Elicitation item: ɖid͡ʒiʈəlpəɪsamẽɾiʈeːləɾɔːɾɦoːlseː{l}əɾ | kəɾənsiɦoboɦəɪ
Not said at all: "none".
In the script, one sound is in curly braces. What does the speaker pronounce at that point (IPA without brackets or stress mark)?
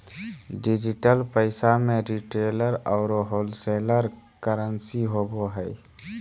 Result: l